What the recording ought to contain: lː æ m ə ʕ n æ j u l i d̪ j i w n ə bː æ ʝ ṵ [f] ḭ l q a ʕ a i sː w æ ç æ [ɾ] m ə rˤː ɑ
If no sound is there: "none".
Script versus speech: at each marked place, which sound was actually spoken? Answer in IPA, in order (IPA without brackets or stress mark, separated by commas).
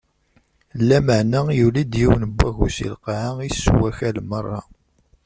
s, l